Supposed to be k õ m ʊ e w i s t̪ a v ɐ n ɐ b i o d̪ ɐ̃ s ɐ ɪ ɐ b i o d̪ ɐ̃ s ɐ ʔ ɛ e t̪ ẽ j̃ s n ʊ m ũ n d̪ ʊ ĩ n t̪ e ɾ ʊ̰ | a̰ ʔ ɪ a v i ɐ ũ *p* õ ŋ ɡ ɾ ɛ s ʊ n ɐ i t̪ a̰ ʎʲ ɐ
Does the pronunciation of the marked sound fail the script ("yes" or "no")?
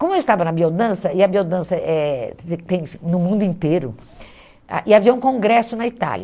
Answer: yes